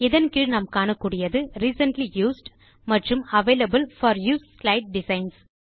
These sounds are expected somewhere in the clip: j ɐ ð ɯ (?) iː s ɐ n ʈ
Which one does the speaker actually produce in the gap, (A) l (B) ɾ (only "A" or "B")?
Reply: B